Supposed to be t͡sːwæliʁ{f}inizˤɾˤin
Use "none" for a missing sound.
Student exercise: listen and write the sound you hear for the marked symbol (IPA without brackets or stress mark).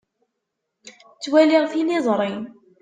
θ